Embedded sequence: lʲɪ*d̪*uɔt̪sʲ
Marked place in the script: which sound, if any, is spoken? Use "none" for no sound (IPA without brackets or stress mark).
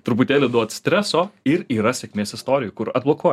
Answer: d̪